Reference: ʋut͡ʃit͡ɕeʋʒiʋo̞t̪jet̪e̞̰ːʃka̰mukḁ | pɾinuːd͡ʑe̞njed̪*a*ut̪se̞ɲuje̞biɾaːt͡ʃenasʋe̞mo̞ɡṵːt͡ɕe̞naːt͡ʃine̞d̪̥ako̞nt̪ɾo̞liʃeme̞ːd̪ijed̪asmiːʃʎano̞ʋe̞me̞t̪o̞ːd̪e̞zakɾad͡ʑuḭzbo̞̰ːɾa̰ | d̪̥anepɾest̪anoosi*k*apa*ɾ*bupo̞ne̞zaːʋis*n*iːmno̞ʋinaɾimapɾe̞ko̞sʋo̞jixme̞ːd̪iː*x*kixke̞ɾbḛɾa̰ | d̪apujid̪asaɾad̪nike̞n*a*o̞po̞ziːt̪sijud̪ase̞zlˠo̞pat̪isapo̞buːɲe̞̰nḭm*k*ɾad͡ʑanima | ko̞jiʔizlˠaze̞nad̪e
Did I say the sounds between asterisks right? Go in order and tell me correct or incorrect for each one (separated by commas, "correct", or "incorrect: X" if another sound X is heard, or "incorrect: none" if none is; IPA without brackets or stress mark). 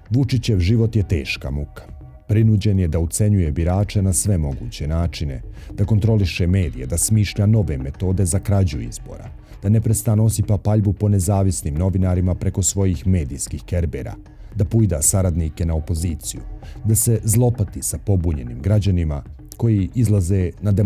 correct, incorrect: p, incorrect: ʎ, correct, incorrect: s, correct, incorrect: ɡ